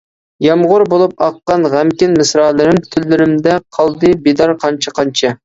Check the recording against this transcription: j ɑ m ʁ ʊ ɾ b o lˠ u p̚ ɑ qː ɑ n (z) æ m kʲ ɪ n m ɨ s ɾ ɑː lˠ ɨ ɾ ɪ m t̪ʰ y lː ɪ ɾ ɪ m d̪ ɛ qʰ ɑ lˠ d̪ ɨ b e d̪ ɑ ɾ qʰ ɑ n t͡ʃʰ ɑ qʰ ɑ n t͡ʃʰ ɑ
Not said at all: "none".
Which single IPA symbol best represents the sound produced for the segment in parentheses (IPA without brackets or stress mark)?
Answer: ʁ